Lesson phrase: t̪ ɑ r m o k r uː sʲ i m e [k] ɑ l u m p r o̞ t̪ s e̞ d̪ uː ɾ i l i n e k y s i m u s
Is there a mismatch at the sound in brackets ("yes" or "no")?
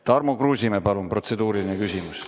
yes